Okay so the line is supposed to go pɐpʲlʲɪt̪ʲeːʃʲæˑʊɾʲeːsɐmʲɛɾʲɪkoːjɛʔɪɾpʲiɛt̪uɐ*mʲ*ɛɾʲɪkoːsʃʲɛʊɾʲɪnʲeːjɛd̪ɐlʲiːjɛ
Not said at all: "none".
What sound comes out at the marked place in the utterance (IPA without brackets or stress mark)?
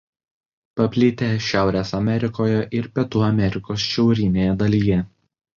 mʲ